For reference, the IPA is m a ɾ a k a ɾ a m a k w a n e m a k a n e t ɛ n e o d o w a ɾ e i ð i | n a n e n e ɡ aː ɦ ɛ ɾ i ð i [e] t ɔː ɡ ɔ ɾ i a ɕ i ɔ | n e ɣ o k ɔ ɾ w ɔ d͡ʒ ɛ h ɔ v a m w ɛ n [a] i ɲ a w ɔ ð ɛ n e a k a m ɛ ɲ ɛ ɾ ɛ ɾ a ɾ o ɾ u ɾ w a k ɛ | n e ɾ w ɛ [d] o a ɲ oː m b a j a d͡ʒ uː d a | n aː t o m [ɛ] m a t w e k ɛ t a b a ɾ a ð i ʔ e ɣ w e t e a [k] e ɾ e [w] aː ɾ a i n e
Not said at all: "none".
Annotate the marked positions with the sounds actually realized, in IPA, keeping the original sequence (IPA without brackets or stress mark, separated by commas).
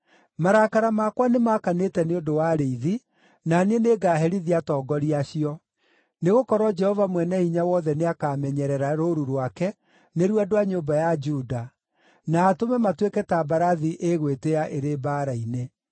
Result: a, ɛ, d, ɛ, ʔ, b